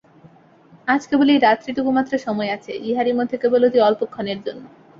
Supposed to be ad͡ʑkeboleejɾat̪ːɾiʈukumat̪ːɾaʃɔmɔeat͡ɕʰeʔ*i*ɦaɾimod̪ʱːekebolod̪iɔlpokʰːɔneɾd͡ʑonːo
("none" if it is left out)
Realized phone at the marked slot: i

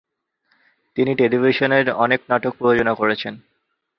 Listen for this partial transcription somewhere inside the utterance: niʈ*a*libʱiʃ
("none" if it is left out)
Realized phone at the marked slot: e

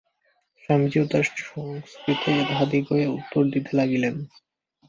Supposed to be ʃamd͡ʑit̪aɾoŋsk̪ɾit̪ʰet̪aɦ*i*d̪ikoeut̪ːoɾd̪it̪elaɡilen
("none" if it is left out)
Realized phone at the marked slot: a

